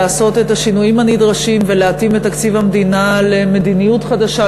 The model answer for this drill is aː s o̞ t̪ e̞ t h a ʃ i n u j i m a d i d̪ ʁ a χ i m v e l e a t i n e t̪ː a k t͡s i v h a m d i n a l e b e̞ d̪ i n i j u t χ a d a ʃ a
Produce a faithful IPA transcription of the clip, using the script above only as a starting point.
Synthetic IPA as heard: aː s o̞ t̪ e̞ t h a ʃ i n u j i m a n i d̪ ʁ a ʃ i m v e l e a t i m e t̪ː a k t͡s i v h a m d i n a l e m e̞ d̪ i n i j u t χ a d a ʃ a